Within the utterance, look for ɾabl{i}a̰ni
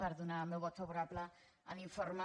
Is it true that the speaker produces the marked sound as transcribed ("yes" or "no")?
no